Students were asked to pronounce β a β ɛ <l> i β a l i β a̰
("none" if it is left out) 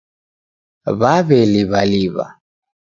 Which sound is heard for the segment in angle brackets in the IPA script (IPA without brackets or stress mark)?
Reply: l